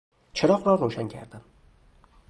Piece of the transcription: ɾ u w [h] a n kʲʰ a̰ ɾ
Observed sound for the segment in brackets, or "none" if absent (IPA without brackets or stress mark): ʃ